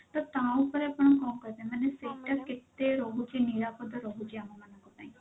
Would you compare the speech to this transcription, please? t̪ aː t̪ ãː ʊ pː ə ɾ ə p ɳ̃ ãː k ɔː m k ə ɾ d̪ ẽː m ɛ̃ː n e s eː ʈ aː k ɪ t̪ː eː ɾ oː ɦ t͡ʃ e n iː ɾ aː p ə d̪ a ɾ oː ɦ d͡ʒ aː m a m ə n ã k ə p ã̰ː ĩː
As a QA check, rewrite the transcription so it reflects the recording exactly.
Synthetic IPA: t̪ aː t̪ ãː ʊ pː ə ɾ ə p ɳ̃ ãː k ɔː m k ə ɾ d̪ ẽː m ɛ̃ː n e s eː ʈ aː k ɪ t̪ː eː ɾ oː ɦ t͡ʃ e n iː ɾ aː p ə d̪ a ɾ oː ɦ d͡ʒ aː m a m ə n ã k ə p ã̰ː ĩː